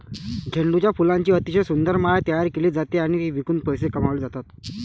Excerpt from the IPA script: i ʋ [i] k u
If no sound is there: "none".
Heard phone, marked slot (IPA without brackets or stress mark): i